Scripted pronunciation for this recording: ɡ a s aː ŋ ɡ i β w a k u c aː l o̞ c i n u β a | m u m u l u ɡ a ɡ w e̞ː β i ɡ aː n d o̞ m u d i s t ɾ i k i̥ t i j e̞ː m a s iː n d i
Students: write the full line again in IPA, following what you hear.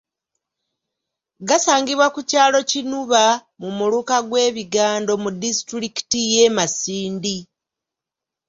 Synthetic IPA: ɡ a s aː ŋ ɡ i β w a k u c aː l o̞ c i n u β a | m u m u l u k a ɡ w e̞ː β i ɡ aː n d o̞ m u d i s t ɾ i k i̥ t i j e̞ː m a s iː n d i